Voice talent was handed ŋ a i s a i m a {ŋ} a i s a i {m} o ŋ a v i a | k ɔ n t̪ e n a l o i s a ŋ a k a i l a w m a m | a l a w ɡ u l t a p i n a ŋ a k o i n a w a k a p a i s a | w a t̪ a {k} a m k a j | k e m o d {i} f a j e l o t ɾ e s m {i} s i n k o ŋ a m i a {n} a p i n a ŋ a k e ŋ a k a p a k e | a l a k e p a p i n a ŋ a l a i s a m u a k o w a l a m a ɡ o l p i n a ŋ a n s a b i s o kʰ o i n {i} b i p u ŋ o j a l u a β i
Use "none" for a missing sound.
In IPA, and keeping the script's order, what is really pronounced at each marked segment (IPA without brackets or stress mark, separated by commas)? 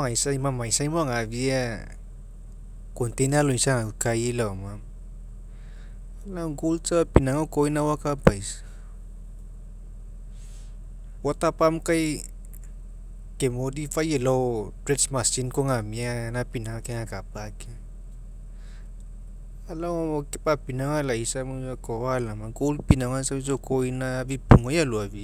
m, m, p, i, a, n, a